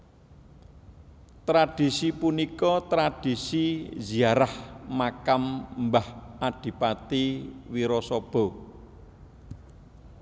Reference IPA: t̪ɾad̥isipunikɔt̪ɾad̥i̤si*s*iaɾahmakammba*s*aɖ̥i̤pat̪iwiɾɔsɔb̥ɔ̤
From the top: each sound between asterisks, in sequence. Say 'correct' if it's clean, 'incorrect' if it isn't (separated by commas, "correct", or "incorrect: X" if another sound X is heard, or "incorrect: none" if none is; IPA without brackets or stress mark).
incorrect: z, incorrect: h